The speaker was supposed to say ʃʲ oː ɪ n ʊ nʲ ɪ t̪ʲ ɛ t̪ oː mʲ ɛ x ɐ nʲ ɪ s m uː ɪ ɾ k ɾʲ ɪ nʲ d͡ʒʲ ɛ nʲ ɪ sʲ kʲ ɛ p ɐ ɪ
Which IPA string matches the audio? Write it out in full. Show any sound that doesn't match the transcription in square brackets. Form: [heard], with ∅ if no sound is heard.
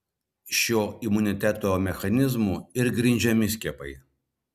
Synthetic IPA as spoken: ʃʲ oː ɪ [m] ʊ nʲ ɪ t̪ʲ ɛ t̪ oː mʲ ɛ x ɐ nʲ ɪ [z] m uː ɪ ɾ [ɡ] ɾʲ ɪ nʲ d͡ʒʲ ɛ [mʲ] ɪ sʲ kʲ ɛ p ɐ ɪ